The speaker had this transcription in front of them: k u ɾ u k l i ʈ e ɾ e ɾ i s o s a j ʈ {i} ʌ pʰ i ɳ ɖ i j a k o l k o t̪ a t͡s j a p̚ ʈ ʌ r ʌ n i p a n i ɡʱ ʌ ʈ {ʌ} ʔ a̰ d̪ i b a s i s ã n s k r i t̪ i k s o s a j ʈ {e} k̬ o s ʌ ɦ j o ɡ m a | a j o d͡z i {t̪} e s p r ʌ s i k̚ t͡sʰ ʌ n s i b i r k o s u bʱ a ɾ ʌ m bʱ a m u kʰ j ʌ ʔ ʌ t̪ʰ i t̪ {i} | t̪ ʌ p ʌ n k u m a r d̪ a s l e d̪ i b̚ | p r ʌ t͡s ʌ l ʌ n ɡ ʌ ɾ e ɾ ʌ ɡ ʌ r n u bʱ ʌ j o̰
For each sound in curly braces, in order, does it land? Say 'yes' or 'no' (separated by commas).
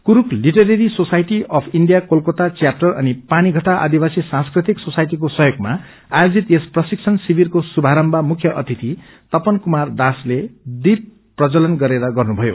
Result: yes, no, no, yes, yes